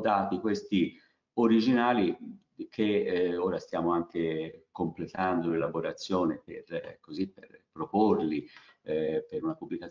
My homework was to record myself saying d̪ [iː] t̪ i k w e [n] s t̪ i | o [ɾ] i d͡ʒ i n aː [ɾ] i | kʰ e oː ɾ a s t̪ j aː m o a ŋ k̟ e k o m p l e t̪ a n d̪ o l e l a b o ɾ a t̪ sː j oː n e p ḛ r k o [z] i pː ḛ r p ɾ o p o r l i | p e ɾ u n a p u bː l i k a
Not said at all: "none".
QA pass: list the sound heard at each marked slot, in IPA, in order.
aː, none, ɾ, l, z

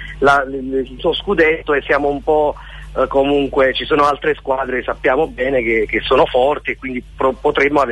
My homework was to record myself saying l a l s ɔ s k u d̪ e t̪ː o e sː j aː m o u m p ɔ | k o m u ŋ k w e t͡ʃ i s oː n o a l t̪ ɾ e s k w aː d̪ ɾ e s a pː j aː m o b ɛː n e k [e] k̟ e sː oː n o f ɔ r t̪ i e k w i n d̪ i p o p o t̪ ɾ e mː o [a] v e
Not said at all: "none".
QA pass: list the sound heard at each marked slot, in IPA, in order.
e, a

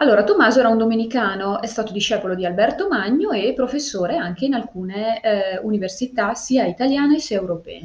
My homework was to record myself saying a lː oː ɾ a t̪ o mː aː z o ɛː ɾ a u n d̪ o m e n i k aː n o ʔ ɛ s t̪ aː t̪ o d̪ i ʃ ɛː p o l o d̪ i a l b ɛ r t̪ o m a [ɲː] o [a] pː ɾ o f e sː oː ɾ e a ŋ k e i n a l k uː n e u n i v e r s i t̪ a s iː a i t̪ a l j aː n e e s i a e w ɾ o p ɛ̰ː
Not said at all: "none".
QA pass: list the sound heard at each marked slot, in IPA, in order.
ɲː, e

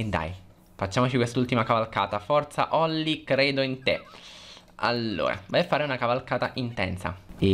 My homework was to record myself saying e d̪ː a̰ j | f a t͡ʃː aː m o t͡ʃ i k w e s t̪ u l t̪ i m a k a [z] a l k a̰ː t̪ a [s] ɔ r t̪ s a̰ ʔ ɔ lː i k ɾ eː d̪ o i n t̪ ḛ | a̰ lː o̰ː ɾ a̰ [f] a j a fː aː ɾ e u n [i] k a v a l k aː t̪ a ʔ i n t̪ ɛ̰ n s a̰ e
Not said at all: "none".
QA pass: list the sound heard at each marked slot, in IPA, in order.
v, f, v, a

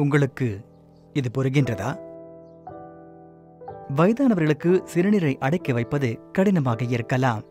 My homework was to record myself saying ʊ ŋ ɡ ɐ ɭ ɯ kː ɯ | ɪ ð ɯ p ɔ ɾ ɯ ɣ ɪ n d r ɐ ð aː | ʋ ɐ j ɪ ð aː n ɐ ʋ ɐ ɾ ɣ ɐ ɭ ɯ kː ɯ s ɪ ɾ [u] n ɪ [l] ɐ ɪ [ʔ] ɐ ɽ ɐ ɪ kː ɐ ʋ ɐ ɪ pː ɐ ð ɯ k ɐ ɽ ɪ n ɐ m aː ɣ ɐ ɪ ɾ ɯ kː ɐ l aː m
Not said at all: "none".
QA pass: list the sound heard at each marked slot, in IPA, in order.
ɯ, ɾ, ʔ

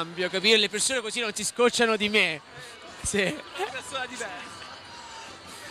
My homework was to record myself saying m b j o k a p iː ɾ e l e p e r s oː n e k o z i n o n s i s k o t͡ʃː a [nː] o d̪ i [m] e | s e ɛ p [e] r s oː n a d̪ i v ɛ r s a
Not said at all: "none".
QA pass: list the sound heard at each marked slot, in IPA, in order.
n, m, e

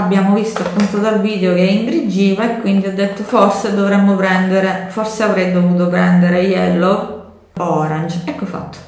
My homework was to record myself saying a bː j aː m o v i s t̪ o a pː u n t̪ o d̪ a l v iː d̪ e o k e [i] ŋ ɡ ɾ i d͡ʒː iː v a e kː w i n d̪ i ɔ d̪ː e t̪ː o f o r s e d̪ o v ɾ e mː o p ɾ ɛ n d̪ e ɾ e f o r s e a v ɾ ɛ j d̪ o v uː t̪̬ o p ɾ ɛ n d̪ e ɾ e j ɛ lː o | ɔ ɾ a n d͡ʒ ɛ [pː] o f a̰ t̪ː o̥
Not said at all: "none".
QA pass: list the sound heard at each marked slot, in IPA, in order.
i, kː

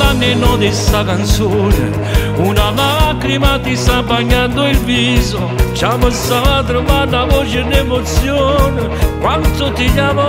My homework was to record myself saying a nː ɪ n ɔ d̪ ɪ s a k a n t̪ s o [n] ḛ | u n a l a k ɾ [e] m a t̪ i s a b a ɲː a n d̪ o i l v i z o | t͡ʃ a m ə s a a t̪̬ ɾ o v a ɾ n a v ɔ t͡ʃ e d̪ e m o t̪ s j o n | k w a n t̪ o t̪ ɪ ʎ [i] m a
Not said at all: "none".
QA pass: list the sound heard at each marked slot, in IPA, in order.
n, i, a

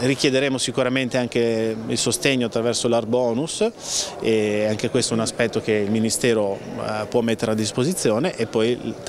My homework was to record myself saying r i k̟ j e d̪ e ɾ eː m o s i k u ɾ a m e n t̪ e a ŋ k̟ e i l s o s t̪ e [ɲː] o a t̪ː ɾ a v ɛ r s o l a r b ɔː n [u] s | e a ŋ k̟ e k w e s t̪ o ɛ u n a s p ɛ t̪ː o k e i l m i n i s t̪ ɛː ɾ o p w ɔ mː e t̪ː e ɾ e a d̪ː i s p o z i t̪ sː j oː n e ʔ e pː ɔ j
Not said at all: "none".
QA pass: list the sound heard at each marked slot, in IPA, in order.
ɲː, u

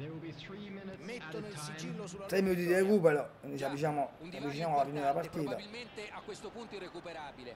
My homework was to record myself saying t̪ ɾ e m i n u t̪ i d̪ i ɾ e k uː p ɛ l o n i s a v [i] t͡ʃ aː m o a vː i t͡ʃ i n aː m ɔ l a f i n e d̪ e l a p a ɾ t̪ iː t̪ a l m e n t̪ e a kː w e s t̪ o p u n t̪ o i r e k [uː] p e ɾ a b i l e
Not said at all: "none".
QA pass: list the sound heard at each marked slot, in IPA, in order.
i, u

